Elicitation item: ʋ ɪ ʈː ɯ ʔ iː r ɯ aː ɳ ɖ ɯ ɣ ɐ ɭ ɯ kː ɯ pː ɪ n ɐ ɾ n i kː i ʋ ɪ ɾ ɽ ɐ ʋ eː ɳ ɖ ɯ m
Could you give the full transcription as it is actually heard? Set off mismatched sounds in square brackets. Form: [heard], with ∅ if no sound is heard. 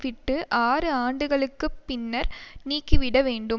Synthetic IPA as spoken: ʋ ɪ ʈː ɯ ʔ [aː] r ɯ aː ɳ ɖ ɯ ɣ ɐ ɭ ɯ kː ɯ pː ɪ [nː] ɐ ɾ n [iː] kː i ʋ ɪ [∅] ɽ ɐ ʋ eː ɳ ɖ ɯ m